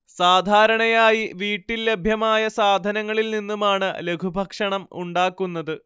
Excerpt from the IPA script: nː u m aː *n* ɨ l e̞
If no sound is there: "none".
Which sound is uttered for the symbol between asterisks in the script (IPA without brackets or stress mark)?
ɳ